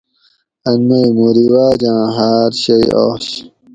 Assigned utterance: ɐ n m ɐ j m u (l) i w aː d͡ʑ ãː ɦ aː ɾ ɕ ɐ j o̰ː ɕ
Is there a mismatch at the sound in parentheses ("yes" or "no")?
yes